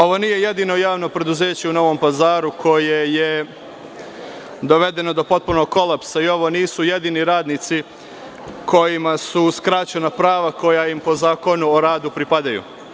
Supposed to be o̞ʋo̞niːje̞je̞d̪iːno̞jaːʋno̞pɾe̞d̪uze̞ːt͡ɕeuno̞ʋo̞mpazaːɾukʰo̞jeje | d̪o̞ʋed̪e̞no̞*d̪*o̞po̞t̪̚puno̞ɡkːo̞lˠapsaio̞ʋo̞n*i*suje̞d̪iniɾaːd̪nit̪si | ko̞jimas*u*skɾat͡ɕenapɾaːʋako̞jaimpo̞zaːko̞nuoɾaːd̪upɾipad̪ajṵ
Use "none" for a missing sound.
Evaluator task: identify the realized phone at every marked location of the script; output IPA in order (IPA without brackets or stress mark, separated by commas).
d̪, iː, u